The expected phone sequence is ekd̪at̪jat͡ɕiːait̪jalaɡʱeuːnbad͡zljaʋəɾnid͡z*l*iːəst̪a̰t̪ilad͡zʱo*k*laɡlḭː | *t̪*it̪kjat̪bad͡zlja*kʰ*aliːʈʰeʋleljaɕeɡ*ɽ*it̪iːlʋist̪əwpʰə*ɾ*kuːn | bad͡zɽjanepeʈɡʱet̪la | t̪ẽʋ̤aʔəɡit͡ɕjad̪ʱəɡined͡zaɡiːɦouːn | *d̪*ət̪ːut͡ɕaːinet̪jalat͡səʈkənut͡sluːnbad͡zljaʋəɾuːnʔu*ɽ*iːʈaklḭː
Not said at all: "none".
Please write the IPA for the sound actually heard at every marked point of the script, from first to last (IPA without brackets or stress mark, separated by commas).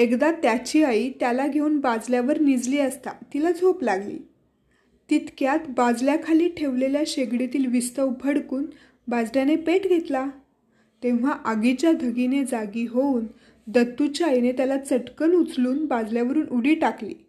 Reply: l, p, t̪, kʰ, ɽ, ɽ, d̪, ɽ